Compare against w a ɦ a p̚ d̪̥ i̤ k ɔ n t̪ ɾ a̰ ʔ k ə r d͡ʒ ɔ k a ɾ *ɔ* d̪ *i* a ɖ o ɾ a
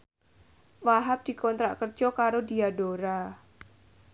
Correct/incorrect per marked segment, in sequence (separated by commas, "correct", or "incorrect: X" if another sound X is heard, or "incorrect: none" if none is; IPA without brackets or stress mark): incorrect: o, correct